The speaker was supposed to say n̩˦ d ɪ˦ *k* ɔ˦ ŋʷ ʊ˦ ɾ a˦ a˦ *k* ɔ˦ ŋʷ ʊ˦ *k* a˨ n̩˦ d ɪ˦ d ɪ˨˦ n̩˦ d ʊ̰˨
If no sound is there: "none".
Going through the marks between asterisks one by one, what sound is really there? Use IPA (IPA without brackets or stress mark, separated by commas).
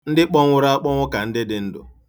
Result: k͡p, k͡p, k